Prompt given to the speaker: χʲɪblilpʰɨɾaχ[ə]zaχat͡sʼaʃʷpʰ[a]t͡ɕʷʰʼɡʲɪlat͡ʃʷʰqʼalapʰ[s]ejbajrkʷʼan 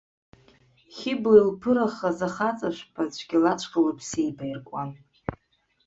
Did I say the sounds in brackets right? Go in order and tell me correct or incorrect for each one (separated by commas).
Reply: incorrect, correct, correct